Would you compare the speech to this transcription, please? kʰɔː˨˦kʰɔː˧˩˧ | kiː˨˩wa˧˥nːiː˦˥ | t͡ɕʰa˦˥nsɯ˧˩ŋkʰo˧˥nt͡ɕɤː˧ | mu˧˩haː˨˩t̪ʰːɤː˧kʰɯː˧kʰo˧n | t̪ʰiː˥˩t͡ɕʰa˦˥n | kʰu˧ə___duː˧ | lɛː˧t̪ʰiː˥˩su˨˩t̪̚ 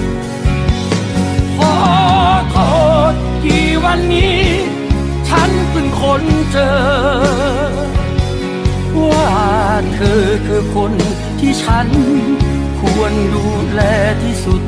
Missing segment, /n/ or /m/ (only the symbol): n